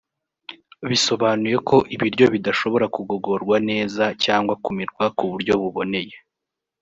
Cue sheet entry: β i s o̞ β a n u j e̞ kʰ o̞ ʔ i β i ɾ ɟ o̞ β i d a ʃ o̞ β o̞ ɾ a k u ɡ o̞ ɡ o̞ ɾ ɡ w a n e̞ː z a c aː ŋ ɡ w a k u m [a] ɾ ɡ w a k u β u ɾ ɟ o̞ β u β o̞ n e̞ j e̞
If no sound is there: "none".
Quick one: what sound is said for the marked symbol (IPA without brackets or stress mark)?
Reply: i